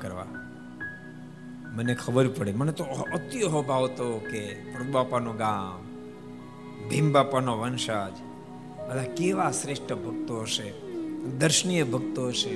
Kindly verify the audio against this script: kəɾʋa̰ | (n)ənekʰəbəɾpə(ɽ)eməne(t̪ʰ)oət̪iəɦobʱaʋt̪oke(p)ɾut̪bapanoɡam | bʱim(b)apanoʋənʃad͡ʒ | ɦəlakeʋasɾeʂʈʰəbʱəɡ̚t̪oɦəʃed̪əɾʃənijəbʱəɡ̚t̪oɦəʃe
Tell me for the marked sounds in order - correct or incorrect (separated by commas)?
incorrect, correct, incorrect, correct, correct